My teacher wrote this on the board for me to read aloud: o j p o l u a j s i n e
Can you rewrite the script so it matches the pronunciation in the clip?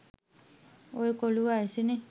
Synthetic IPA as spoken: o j k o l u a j s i n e